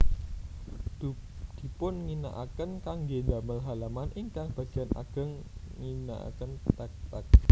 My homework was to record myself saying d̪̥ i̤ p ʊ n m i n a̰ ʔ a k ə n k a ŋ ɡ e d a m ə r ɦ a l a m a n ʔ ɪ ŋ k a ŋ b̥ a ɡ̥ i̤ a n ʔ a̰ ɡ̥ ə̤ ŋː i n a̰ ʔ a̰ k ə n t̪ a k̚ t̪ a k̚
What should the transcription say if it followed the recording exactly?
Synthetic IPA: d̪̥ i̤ p ʊ n ŋ i n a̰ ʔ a k ə n k a ŋ ɡ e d a m ə l ɦ a l a m a n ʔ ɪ ŋ k a ŋ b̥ a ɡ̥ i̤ a n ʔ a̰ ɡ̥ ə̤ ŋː i n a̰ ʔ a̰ k ə n t̪ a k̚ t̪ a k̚